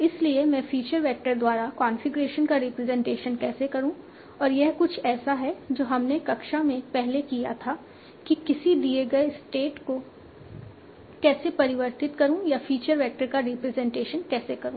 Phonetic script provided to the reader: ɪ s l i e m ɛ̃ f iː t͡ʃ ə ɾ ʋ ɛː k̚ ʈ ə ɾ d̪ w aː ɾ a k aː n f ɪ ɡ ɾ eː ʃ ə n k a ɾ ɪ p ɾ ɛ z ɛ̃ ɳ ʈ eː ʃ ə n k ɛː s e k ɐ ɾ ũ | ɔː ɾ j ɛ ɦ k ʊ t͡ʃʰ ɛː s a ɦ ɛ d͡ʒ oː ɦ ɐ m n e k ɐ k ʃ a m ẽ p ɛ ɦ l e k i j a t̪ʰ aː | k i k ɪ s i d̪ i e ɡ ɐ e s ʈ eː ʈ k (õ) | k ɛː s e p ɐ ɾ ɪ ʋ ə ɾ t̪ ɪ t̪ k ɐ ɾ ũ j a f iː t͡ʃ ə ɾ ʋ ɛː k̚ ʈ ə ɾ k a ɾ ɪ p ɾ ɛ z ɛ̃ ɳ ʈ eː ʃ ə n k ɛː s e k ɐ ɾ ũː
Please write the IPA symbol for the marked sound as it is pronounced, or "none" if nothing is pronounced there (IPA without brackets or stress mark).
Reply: o